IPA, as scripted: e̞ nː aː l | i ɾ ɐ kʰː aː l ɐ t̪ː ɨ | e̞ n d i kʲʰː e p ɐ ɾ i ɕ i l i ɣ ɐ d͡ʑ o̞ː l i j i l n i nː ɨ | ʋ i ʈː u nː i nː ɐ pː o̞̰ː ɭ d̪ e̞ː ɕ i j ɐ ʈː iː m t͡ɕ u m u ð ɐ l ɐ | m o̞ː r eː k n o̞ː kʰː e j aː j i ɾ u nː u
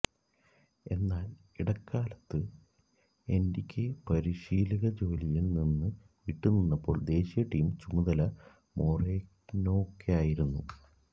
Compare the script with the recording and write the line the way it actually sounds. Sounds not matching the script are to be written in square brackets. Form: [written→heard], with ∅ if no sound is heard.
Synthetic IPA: e̞ nː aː l | i [ɾ→ɽ] ɐ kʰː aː l ɐ t̪ː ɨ | e̞ n d i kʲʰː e p ɐ ɾ i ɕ [i→iː] l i ɣ ɐ d͡ʑ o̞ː l i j i l n i nː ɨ | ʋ i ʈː u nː i nː ɐ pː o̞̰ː ɭ d̪ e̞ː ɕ i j ɐ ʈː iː m t͡ɕ u m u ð ɐ l ɐ | m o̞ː r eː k n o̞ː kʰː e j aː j i ɾ u nː u